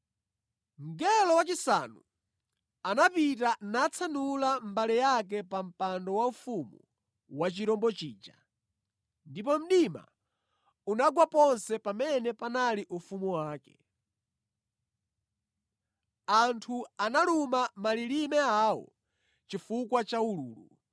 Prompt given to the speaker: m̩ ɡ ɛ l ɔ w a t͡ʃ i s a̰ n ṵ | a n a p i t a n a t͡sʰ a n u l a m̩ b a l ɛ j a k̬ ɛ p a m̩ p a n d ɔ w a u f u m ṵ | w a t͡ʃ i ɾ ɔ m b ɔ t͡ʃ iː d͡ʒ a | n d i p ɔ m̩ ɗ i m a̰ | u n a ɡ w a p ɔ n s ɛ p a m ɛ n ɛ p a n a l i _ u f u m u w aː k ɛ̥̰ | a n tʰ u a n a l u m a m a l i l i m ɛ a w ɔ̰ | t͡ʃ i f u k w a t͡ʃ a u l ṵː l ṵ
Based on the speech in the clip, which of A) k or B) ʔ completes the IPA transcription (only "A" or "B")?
B